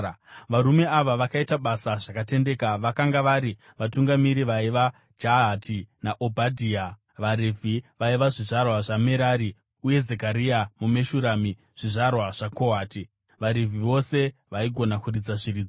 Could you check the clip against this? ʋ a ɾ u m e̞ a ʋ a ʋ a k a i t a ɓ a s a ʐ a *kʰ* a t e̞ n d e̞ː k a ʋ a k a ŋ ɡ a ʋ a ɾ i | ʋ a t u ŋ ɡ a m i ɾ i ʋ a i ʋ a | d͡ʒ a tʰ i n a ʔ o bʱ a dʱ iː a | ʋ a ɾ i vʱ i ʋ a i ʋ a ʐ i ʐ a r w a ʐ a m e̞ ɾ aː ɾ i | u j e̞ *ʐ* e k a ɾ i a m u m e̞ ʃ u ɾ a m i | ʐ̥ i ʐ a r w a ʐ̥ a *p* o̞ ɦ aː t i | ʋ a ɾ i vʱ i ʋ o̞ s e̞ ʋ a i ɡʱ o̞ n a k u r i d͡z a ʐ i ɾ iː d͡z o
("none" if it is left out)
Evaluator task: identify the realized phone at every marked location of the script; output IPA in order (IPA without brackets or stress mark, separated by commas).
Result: k, z, k